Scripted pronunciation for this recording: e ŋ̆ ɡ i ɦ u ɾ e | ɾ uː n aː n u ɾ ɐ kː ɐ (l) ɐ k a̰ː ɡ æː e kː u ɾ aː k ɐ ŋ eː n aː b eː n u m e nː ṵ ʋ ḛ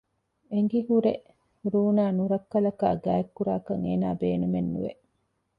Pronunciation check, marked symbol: correct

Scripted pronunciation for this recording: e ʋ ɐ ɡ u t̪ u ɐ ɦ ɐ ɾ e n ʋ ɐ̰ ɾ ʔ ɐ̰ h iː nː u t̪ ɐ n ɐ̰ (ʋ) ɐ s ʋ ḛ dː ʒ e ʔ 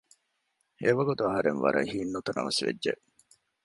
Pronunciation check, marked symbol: correct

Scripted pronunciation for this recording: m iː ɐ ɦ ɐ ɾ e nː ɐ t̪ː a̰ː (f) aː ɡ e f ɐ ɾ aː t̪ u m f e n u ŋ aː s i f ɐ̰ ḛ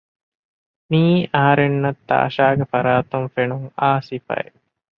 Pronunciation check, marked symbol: incorrect: ʃ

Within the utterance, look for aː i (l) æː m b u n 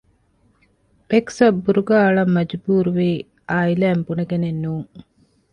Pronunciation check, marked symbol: correct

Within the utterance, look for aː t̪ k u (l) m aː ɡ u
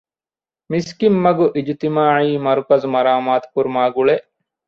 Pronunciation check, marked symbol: incorrect: ɾ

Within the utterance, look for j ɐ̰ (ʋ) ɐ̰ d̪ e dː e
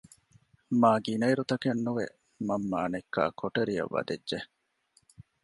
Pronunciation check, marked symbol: incorrect: ʋː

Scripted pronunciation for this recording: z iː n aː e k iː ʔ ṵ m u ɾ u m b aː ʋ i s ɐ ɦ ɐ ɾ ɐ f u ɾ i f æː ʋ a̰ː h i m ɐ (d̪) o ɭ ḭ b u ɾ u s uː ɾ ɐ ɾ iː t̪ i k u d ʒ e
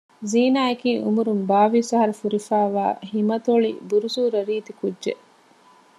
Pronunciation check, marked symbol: incorrect: t̪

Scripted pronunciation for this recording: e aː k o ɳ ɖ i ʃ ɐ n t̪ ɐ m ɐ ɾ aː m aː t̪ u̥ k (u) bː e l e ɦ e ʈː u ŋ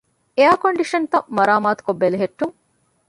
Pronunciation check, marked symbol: incorrect: o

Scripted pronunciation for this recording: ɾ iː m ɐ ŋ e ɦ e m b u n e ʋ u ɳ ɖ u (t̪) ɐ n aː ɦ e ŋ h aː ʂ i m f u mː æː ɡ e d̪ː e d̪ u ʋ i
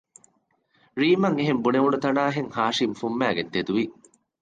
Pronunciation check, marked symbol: correct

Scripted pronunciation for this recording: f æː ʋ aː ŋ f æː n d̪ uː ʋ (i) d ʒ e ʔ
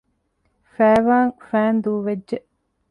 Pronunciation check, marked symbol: incorrect: e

